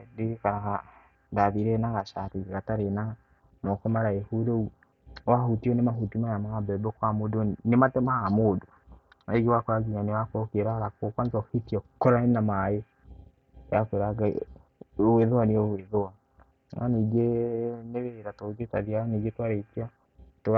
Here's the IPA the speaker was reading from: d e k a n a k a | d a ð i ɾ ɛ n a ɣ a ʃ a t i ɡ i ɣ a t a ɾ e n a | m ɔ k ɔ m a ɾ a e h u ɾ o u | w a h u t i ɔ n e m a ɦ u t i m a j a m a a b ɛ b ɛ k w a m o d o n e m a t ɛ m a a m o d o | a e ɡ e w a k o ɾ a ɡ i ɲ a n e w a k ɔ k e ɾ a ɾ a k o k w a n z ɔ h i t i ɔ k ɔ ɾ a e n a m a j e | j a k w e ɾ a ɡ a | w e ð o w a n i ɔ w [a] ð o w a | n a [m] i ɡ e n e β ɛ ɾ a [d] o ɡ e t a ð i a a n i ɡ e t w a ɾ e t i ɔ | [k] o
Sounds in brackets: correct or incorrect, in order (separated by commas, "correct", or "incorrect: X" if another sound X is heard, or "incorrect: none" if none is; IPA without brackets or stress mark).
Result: incorrect: e, incorrect: n, incorrect: t, incorrect: t